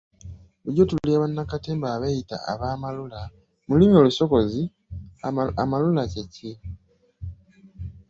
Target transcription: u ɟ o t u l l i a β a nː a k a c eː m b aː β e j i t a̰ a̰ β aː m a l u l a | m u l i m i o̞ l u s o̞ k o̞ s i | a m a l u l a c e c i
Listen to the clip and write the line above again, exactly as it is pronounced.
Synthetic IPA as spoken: u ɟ o t u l l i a β a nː a k a t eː m b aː β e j i t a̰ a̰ β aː m a l u l a | m u l i m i o̞ l u s o̞ k o̞ z i | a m a l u l a c e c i